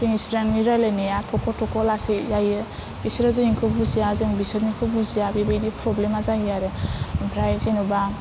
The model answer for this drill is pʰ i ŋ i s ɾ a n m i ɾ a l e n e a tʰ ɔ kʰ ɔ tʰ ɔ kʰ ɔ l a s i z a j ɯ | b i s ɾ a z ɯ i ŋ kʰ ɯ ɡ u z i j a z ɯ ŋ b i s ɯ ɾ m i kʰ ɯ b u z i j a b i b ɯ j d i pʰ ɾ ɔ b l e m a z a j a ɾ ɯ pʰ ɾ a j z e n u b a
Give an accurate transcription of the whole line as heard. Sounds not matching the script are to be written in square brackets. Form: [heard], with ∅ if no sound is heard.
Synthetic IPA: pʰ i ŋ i s ɾ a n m i ɾ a l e n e a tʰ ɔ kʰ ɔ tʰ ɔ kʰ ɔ l a s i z a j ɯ | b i s ɾ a z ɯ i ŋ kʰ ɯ [b] u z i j a z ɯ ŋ b i s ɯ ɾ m i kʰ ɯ b u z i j a b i b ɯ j d i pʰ ɾ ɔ b l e m a z a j a ɾ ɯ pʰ ɾ a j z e n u b a